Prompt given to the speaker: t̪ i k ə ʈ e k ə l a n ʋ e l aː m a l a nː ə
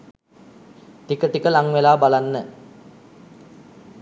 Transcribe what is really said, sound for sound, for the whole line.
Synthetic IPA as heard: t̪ i k ə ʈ i k ə l a ŋ ʋ e l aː b a l a nː ə

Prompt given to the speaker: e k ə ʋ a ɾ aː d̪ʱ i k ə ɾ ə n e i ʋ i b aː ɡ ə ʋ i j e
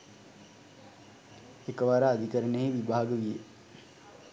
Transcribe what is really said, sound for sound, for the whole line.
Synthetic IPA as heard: e k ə ʋ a ɾ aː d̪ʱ i k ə ɾ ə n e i ʋ i b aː ɡ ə ʋ i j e

